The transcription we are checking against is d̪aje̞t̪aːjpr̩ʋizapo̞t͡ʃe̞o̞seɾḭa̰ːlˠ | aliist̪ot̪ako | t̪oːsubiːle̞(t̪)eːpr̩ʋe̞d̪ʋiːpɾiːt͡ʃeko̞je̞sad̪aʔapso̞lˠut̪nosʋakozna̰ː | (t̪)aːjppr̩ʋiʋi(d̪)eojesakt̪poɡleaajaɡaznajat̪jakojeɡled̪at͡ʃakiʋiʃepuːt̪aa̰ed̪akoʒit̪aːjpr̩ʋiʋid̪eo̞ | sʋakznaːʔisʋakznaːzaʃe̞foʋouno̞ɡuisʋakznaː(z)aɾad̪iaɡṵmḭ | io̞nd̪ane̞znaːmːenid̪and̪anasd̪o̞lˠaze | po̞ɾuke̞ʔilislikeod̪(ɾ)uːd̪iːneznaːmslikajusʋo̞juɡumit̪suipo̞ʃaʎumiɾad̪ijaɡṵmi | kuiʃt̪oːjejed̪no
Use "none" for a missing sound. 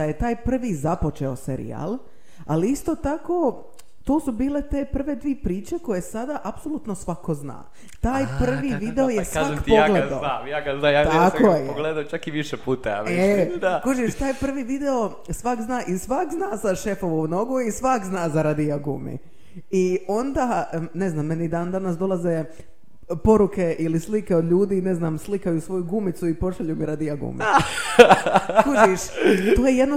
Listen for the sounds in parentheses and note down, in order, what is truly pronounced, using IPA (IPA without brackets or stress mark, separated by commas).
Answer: t̪, t̪, d̪, z, ʎ